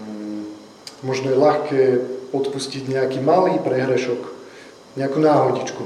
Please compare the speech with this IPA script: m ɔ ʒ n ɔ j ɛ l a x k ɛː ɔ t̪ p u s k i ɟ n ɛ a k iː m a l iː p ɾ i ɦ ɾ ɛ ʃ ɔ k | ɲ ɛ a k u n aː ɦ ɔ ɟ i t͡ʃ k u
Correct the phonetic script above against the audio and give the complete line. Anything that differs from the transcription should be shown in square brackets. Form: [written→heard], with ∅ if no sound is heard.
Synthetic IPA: m ɔ ʒ n ɔ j ɛ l a x k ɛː ɔ t̪ p u s [k→c] i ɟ [n→ɲ] ɛ a k iː m a l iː p ɾ [i→ɛ] ɦ ɾ ɛ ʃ ɔ k | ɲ ɛ a k u n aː ɦ ɔ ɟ i t͡ʃ k u